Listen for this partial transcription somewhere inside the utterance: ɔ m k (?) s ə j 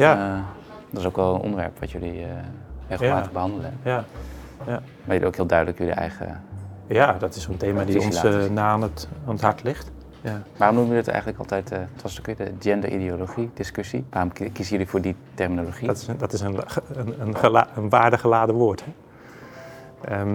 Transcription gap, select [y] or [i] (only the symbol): i